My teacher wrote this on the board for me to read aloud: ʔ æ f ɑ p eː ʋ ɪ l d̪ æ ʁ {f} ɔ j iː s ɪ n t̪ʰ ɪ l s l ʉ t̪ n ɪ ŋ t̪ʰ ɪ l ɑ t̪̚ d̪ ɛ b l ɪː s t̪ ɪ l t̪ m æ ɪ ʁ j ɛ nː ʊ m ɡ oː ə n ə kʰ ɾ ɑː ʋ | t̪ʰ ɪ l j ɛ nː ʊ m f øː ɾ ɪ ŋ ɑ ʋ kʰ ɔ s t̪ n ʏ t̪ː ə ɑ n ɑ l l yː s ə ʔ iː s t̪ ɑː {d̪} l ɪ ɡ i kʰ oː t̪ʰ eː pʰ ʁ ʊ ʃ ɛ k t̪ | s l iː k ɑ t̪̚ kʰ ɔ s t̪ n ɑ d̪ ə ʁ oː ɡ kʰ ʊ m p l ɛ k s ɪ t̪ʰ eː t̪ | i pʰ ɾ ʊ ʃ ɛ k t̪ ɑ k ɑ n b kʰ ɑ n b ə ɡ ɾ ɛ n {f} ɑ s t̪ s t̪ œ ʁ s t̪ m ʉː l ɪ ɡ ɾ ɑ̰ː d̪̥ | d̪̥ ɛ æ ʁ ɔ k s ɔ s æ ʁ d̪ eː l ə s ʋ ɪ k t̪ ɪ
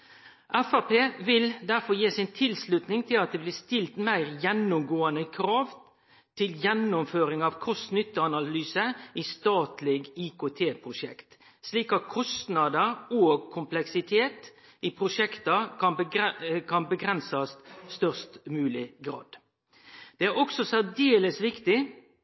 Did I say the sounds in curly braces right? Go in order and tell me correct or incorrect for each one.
correct, incorrect: t̪, incorrect: s

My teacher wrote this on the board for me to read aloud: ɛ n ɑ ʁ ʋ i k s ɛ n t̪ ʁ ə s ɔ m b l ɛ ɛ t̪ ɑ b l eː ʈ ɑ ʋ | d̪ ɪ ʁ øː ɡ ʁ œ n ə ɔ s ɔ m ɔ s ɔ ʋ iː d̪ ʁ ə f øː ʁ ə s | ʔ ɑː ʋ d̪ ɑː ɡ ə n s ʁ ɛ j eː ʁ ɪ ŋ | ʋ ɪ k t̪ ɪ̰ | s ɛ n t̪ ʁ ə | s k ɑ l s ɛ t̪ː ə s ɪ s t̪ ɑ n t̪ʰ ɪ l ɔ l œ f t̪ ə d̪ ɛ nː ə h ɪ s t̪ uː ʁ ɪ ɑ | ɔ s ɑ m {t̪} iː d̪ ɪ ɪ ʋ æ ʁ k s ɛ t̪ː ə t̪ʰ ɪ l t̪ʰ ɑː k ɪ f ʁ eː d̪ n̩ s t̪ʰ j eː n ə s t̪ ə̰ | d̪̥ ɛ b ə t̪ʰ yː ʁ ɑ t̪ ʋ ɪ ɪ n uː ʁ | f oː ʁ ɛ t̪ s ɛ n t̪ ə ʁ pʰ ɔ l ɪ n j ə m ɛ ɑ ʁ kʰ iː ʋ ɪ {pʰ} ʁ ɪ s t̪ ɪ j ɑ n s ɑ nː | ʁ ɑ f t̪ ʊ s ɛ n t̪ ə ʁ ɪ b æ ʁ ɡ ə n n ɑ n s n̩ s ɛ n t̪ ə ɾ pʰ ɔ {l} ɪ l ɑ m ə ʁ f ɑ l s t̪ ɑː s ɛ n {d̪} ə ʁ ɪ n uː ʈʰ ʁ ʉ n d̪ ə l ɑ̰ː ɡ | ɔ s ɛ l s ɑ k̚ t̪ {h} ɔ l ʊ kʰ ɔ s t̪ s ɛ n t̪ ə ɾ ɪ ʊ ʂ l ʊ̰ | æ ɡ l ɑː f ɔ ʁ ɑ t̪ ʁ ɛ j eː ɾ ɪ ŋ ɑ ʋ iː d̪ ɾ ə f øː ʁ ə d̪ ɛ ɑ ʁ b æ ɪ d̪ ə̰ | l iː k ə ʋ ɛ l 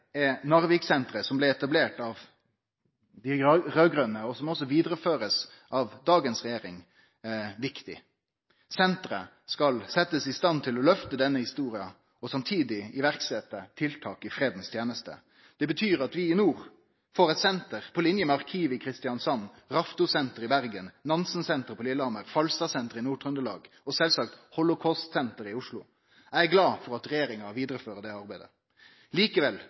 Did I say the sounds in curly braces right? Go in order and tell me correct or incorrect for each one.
incorrect: t̪ʰ, incorrect: kʰ, correct, incorrect: t̪, correct

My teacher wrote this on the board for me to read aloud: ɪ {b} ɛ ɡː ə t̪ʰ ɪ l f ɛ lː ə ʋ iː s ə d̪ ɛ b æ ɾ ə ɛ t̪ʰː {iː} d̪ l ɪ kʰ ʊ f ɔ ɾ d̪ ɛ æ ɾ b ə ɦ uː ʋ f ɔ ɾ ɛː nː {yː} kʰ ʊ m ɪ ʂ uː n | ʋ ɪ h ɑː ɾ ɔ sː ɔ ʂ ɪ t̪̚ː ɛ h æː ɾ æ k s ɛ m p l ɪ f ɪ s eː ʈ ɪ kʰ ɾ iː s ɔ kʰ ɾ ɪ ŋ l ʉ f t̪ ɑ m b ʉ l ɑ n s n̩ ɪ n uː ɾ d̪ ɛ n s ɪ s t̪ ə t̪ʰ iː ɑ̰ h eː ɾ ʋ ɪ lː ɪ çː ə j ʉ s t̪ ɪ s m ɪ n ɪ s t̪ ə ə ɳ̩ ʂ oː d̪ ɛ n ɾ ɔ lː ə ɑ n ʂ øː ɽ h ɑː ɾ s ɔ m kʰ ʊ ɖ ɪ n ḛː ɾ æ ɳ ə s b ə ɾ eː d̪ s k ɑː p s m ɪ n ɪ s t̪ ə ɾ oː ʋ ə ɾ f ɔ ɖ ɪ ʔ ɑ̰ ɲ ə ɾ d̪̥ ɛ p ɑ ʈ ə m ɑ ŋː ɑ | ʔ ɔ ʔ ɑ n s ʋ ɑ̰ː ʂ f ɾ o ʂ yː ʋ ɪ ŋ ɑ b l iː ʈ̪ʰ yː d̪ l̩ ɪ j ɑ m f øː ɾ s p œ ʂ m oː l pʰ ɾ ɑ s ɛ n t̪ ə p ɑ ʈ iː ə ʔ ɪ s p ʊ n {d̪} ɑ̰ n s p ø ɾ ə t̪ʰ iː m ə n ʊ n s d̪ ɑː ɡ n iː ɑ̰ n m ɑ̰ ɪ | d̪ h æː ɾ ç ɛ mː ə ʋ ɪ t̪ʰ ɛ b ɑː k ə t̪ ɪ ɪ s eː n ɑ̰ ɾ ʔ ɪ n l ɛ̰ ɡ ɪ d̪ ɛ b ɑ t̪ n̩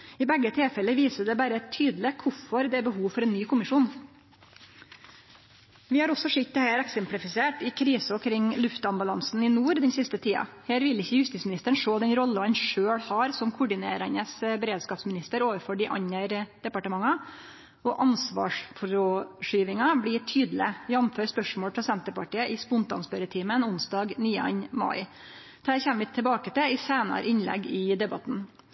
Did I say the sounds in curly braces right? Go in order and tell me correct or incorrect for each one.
correct, incorrect: yː, correct, incorrect: t̪

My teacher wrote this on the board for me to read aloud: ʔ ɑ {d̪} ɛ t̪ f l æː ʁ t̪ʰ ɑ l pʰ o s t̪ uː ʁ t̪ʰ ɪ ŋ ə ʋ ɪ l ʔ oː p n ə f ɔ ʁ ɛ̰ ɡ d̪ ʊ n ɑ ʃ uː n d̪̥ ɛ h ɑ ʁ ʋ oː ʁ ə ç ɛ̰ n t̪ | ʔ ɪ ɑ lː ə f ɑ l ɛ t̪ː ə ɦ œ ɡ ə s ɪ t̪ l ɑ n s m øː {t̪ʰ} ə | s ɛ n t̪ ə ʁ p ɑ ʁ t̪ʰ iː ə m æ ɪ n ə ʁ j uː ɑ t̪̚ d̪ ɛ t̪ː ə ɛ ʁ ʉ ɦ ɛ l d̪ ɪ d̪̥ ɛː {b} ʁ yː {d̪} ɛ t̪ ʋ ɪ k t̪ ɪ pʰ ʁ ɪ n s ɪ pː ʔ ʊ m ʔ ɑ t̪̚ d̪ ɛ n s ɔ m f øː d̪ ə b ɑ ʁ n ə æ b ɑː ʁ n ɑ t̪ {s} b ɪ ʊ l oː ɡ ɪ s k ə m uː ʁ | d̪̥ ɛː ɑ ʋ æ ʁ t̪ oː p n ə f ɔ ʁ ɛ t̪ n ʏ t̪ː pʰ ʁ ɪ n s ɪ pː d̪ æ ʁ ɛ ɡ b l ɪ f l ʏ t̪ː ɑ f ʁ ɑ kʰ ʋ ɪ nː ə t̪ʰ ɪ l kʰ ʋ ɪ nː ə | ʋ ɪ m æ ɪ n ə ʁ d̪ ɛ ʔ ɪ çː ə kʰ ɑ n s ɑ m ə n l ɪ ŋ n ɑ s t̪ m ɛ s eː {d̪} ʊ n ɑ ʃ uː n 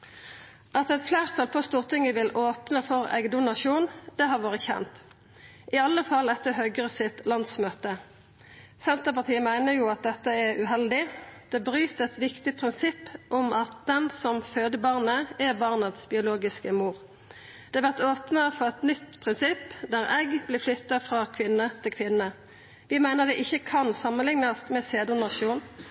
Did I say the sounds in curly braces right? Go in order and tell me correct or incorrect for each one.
incorrect: t̪, incorrect: t̪, correct, incorrect: t̪, correct, correct

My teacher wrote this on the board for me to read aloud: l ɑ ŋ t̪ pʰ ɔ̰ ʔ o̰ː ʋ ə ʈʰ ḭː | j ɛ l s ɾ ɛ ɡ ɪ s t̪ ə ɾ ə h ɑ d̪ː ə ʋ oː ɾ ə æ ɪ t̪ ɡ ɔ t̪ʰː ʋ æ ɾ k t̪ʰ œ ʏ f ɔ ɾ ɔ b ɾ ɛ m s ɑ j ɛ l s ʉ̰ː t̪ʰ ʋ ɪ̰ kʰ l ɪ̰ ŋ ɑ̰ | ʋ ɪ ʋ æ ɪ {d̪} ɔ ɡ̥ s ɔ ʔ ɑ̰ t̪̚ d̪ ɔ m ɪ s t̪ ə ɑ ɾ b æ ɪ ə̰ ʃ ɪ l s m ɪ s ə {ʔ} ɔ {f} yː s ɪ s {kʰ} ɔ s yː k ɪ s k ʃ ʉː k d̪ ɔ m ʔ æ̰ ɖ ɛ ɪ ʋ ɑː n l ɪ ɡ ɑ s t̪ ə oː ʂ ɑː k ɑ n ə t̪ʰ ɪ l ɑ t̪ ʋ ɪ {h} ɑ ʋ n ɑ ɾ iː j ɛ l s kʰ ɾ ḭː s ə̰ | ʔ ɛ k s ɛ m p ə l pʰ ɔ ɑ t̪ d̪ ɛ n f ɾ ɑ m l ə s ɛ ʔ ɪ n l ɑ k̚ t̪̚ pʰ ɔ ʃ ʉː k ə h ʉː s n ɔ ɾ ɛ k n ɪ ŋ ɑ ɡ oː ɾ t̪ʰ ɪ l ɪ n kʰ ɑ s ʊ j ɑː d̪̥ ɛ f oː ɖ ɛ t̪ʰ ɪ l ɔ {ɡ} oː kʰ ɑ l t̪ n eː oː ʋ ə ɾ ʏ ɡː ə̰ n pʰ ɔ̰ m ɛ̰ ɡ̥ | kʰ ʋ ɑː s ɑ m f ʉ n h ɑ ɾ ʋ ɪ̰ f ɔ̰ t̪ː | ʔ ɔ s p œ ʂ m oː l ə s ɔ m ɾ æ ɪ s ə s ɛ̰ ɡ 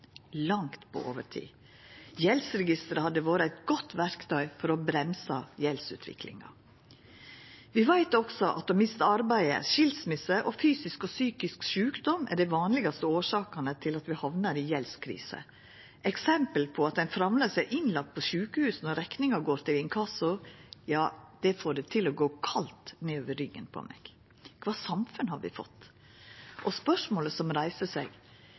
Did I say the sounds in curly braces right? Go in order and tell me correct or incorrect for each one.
incorrect: t̪, correct, correct, incorrect: k, correct, correct

